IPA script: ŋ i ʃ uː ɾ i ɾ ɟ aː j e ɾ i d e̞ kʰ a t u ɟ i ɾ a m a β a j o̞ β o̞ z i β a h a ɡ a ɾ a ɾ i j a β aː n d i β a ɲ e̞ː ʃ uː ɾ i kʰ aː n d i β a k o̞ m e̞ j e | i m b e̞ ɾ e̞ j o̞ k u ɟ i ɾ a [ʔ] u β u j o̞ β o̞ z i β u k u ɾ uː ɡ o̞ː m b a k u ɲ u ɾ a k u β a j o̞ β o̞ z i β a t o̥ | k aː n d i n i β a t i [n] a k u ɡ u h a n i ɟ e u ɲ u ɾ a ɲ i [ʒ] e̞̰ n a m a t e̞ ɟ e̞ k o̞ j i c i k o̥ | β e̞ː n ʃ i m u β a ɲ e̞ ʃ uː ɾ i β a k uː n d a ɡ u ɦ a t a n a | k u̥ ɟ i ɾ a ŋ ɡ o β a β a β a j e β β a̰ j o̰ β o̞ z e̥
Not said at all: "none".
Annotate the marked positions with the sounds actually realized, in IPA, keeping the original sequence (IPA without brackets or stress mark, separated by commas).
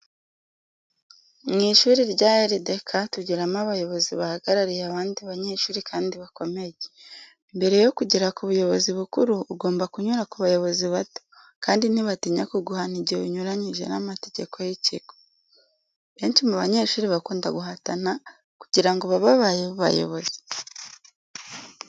k, ɲ, ʒ